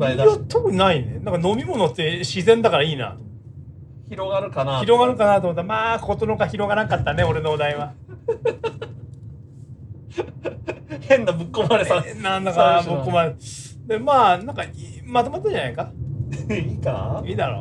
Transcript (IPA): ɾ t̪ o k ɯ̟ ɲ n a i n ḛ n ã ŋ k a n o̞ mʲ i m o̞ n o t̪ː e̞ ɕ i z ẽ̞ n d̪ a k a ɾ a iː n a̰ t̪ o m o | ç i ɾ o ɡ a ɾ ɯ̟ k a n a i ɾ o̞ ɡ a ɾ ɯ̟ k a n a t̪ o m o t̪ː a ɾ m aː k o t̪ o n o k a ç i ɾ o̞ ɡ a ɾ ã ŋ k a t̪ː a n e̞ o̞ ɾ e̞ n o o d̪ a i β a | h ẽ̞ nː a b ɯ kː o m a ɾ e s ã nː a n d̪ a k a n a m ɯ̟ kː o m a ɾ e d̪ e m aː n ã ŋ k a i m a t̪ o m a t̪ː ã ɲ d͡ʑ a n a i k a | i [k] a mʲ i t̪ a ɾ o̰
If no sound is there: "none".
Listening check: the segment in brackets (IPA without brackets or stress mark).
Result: k